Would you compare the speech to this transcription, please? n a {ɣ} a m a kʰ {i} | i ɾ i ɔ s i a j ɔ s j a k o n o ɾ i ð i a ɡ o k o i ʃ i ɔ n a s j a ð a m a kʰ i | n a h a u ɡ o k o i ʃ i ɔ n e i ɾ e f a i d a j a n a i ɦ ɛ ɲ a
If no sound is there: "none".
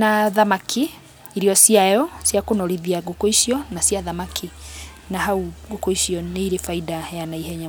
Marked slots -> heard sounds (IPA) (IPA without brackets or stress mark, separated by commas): ð, i